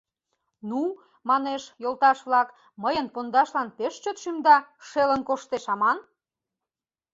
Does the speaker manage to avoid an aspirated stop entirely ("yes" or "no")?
yes